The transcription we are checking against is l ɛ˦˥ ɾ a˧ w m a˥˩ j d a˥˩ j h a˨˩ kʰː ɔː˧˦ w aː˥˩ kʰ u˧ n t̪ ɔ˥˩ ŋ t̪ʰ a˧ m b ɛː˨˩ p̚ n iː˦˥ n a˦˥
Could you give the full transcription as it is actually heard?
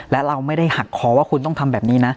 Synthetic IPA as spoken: l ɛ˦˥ ɾ a˧ w m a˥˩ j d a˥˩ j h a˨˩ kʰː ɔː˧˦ w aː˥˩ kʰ u˧ n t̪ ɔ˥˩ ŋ t̪ʰ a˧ m b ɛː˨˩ p̚ n iː˦˥ n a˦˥